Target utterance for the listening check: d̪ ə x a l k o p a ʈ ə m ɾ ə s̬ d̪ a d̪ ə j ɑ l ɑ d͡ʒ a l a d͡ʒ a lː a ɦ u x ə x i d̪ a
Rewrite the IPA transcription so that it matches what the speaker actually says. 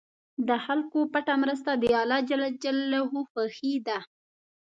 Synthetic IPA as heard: d̪ ə x a l k o p a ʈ a m ɾ ə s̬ t̪ a d̪ ə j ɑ l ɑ d͡ʒ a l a d͡ʒ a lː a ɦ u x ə x i d̪ a